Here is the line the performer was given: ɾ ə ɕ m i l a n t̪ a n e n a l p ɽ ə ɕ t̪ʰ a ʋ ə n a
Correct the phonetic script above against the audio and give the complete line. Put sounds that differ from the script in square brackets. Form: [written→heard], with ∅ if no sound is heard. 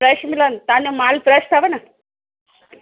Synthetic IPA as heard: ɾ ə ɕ m i l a n t̪ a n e [n→m] a l p [ɽ→ɾ] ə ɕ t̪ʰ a ʋ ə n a